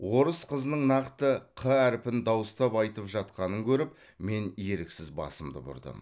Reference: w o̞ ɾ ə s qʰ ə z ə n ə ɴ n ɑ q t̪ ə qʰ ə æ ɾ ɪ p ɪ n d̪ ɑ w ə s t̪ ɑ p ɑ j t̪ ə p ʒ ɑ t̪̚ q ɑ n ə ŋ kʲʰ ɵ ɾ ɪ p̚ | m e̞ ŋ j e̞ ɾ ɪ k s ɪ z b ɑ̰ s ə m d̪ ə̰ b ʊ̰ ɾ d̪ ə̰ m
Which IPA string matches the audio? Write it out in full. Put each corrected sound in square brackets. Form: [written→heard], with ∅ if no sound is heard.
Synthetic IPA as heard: w o̞ ɾ ə s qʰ ə z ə n ə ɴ n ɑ q t̪ ə qʰ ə æ ɾ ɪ p ɪ n d̪ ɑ w ə s t̪ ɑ p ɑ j t̪ ə p ʒ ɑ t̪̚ q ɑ n ə ŋ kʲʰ ɵ ɾ ɪ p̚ | m e̞ [ŋ→n] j e̞ ɾ ɪ k s ɪ z b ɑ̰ s ə m d̪ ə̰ b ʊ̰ ɾ d̪ ə̰ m